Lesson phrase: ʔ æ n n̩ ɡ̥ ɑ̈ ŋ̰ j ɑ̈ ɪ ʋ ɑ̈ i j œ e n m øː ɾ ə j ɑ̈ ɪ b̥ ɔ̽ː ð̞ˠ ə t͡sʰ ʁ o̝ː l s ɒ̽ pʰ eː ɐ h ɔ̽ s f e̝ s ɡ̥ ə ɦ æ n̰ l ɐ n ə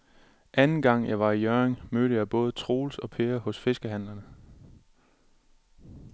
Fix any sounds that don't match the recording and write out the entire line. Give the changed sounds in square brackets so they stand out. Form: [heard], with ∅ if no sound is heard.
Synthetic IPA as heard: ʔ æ n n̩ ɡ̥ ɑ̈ ŋ̰ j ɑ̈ ɪ ʋ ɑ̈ i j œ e [ŋ] m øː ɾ ə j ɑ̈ ɪ b̥ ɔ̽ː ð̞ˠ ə t͡sʰ ʁ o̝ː l s ɒ̽ pʰ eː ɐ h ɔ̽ s f e̝ s ɡ̥ ə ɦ æ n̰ l ɐ n ə